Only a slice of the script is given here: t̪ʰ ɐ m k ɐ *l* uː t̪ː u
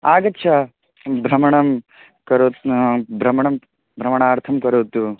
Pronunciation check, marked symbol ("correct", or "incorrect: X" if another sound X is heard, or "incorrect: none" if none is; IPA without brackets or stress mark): incorrect: ɾ